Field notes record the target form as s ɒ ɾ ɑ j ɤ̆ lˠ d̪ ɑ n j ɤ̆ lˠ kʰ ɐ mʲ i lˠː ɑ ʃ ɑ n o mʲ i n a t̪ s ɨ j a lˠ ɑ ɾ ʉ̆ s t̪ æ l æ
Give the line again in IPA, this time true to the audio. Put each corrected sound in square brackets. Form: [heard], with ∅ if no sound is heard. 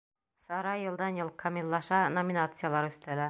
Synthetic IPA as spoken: s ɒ ɾ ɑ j ɤ̆ lˠ d̪ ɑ n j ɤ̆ lˠ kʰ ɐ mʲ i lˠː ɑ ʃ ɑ n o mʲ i n a t̪ s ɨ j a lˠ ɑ ɾ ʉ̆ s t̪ æ l æ